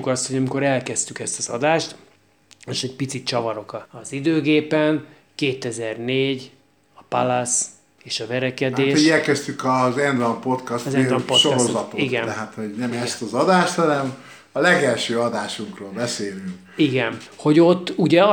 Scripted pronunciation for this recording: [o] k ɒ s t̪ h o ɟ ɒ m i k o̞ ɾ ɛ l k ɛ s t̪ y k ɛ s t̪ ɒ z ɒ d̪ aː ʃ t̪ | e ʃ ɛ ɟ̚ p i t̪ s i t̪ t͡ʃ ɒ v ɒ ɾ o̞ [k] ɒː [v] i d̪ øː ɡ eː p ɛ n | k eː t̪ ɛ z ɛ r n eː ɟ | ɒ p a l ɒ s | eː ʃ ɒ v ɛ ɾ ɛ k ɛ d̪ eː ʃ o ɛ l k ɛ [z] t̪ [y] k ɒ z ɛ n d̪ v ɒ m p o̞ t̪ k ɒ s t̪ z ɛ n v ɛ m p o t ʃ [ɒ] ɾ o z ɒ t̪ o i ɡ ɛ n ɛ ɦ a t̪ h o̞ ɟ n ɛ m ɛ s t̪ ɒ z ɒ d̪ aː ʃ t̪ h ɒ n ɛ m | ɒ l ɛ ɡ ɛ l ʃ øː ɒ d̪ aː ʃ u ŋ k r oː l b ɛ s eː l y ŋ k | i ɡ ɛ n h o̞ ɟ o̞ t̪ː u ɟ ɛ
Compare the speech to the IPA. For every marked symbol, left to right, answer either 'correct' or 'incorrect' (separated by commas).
incorrect, correct, incorrect, incorrect, correct, incorrect